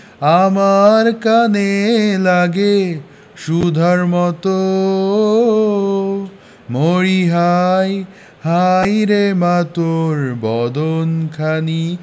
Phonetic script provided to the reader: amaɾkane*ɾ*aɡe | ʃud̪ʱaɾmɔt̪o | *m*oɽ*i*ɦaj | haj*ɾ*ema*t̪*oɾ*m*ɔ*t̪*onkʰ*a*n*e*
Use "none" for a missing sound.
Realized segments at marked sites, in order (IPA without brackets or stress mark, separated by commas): l, m, i, ɾ, t̪, b, d̪, a, i